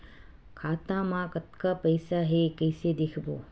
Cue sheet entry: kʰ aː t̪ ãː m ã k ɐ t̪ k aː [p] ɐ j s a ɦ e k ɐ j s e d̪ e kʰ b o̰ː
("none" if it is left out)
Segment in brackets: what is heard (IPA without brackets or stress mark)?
p